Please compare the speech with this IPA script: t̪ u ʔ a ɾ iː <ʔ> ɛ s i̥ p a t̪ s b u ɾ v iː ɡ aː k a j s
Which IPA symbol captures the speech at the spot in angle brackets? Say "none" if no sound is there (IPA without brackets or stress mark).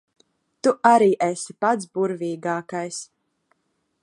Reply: ʔ